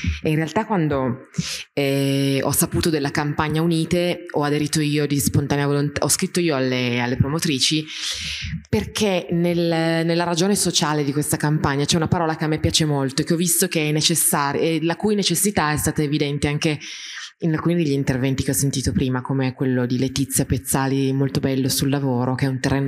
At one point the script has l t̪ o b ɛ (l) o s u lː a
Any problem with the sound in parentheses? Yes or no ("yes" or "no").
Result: yes